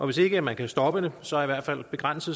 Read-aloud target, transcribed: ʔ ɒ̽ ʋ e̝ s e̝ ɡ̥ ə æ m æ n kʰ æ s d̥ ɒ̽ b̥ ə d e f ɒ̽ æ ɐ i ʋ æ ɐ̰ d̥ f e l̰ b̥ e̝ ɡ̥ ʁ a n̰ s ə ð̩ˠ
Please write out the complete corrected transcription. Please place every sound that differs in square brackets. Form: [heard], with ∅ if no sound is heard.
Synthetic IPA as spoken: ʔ ɒ̽ ʋ e̝ s e̝ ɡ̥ ə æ m æ n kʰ æ s d̥ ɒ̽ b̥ ə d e [s] ɒ̽ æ ɐ i ʋ æ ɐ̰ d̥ f [æ] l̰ b̥ e̝ ɡ̥ ʁ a n̰ s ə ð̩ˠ

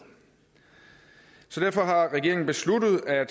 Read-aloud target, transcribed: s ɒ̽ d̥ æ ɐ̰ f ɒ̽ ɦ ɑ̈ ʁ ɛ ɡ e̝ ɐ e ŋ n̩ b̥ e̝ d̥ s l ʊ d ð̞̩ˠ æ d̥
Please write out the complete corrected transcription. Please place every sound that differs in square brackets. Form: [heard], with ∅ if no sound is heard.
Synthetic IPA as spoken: s ɒ̽ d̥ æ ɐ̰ f ɒ̽ ɦ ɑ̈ ʁ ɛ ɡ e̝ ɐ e ŋ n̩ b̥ e̝ [∅] s l [u] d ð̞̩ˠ æ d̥

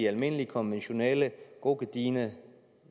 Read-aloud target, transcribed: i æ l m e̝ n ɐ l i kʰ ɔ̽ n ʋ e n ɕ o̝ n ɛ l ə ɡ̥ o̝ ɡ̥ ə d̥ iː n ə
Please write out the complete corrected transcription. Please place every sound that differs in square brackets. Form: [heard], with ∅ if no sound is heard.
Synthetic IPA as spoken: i æ l m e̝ n [ə] l i kʰ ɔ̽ n ʋ e n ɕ o̝ n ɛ l ə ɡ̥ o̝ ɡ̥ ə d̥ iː n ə

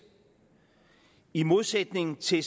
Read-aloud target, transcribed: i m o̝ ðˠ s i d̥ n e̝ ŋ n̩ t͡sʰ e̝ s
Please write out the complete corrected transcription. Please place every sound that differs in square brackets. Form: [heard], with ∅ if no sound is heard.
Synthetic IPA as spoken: i m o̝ ðˠ s [e] d̥ n e̝ ŋ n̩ t͡sʰ e̝ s

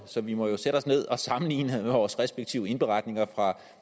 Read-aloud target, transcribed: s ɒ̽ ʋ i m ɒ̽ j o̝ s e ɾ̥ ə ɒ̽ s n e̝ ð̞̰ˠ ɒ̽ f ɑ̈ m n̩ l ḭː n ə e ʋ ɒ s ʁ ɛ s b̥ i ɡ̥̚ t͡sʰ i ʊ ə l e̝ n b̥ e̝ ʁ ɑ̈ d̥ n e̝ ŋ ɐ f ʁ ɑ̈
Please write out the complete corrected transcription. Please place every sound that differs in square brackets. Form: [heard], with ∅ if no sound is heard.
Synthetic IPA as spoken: s ɒ̽ ʋ i m ɒ̽ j o̝ s e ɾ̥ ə ɒ̽ s n e̝ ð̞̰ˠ ɒ̽ [s] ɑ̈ m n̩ l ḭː n ə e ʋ [ɒː] s ʁ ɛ s b̥ [e] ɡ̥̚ t͡sʰ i ʊ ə [∅] e̝ n b̥ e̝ ʁ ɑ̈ d̥ n e̝ ŋ ɐ f ʁ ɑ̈

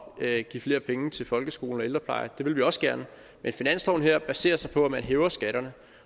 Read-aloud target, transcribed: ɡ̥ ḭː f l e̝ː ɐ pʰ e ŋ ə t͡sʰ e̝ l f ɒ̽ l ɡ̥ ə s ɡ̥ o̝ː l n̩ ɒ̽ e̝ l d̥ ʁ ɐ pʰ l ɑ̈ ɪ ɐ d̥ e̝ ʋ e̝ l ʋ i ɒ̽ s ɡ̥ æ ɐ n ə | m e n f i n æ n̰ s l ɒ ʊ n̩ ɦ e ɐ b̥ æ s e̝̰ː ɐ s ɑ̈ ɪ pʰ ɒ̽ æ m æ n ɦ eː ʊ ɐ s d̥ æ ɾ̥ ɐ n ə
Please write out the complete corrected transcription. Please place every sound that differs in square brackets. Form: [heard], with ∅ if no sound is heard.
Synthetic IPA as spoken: ɡ̥ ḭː f l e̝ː ɐ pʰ e ŋ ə t͡sʰ e̝ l f ɒ̽ l ɡ̥ ə s ɡ̥ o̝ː l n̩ ɒ̽ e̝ l d̥ ʁ ɐ pʰ l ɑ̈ ɪ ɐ d̥ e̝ ʋ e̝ l ʋ i ɒ̽ s ɡ̥ æ ɐ n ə | m e n f i n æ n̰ s l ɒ ʊ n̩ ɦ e ɐ b̥ æ s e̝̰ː ɐ s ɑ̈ ɪ pʰ ɒ̽ æ m æ n ɦ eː ʊ ɐ s [ɡ̥] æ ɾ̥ ɐ n ə

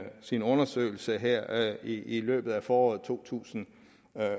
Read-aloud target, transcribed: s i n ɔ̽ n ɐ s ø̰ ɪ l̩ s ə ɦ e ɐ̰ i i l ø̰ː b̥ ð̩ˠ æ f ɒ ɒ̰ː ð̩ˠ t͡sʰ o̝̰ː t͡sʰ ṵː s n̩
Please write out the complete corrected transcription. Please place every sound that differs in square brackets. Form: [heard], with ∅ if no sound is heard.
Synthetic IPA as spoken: s i n ɔ̽ n ɐ s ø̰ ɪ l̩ s ə ɦ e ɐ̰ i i l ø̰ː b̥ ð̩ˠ æ f [ɒː] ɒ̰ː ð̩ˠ t͡sʰ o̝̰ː t͡sʰ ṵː s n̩

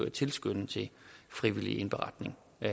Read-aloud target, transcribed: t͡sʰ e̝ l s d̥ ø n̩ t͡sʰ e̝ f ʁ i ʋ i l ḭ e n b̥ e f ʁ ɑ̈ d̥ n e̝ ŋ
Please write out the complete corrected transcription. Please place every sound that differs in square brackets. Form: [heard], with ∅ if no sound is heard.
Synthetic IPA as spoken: t͡sʰ e̝ l s [ɡ̥] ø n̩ t͡sʰ e̝ f ʁ i ʋ i l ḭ e n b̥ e [∅] ʁ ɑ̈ d̥ n e̝ ŋ

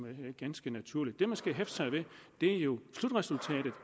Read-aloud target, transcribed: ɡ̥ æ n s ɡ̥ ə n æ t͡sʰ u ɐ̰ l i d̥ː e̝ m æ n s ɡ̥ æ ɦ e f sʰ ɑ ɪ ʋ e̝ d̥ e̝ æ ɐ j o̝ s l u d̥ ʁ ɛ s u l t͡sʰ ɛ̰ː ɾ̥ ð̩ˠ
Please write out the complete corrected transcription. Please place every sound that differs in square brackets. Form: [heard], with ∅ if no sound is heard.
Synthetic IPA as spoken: ɡ̥ æ n s ɡ̥ ə n æ t͡sʰ u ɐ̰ l i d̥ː e̝ m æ n s ɡ̥ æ ɦ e f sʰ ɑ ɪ ʋ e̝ d̥ e̝ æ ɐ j o̝ s l u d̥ ʁ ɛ s u l t͡sʰ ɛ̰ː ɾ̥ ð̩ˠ

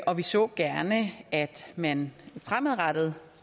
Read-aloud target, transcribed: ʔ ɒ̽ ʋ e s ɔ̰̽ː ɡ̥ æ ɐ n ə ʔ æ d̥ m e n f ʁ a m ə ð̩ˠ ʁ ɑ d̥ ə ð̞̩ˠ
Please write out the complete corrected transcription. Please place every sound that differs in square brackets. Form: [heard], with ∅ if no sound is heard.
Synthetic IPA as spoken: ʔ ɒ̽ ʋ [i] s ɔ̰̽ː ɡ̥ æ ɐ n ə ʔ æ d̥ m [æ] n f ʁ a m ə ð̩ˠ ʁ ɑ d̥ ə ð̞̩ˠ

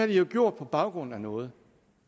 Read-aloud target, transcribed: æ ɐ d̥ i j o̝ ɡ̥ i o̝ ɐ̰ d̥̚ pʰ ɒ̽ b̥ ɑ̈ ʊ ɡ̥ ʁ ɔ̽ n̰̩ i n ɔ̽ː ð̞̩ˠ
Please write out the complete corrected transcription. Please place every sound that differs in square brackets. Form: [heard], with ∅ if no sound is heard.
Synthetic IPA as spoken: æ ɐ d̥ i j o̝ ɡ̥ [j] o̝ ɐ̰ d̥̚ pʰ ɒ̽ b̥ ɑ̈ ʊ ɡ̥ ʁ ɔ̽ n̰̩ [æ] n ɔ̽ː ð̞̩ˠ

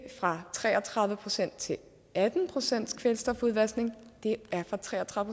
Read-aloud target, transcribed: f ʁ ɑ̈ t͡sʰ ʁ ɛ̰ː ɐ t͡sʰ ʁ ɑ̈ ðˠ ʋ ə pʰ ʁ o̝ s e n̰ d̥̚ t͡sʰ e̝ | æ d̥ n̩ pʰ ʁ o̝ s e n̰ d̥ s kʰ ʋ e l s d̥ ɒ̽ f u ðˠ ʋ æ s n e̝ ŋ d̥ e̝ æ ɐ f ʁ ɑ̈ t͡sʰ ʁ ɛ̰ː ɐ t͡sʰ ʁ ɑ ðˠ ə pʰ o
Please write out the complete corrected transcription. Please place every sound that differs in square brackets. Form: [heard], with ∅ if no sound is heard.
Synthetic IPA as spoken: f ʁ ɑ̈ t͡sʰ ʁ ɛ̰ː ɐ t͡sʰ ʁ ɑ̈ ðˠ ʋ ə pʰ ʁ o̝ s e n̰ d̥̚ t͡sʰ e̝ | æ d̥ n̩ pʰ ʁ o̝ s e n̰ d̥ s kʰ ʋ e l s d̥ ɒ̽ f u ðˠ ʋ æ s n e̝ ŋ d̥ e̝ æ ɐ f ʁ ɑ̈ t͡sʰ ʁ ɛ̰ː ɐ t͡sʰ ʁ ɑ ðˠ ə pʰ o

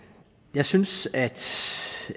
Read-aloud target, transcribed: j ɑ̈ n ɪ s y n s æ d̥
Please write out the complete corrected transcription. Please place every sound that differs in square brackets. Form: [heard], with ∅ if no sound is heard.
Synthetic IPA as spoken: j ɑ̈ [∅] ɪ s y n s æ d̥

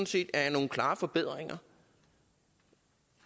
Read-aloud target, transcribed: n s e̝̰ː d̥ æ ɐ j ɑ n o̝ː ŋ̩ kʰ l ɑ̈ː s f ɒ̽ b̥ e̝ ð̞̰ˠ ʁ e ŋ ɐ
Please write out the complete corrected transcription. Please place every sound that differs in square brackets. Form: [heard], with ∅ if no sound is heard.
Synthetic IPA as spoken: n s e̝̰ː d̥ æ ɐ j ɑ n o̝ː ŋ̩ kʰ l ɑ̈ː [∅] f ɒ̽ b̥ e̝ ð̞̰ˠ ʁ e ŋ ɐ

